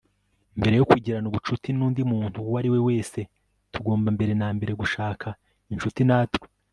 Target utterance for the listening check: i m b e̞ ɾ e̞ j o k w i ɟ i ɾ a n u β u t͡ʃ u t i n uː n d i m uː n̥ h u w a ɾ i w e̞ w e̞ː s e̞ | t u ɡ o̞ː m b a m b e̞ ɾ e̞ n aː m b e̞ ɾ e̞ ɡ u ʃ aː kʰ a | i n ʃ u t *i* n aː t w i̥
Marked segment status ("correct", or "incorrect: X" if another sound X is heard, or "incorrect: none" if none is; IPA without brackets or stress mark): correct